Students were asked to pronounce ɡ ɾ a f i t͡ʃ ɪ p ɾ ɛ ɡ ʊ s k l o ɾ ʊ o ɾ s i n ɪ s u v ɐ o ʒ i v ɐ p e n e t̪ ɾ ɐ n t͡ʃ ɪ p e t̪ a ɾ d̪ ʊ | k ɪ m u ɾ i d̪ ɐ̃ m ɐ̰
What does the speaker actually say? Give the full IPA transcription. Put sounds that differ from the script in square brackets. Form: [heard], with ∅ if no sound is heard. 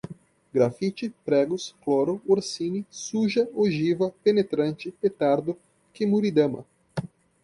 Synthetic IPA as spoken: ɡ ɾ a f i t͡ʃ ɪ p ɾ ɛ ɡ ʊ s k l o ɾ ʊ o ɾ s i n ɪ s u [ʒ] ɐ o ʒ i v ɐ p e n e t̪ ɾ [ɐ̃] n t͡ʃ ɪ p e t̪ a ɾ d̪ ʊ | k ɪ m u ɾ i d̪ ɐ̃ m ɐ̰